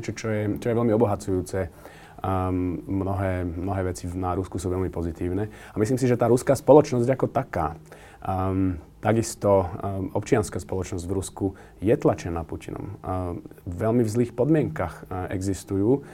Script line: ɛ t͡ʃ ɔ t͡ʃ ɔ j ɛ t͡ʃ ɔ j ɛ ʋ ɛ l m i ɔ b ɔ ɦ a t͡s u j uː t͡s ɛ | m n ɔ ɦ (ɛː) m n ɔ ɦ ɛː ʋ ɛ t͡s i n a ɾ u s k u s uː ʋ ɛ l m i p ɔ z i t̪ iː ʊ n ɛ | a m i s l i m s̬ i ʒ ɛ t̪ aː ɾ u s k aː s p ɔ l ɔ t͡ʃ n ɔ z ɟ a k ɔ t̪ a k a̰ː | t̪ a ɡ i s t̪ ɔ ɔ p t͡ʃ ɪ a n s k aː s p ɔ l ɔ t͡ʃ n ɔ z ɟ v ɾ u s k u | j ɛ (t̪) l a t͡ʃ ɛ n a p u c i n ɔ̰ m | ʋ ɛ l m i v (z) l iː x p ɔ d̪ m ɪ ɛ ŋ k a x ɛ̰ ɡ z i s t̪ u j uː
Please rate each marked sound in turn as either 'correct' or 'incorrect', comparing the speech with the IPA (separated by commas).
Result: correct, correct, correct